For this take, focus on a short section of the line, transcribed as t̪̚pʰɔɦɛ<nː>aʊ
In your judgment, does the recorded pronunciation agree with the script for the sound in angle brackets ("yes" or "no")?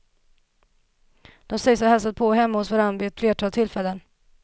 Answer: no